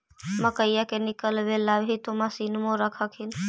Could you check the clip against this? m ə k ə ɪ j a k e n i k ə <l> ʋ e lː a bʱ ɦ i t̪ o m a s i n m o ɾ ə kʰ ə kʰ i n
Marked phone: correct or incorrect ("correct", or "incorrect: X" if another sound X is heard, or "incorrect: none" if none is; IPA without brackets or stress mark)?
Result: correct